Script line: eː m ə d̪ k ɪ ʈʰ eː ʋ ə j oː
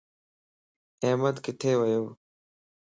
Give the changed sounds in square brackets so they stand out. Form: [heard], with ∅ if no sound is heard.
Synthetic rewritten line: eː m ə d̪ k ɪ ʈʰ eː ʋ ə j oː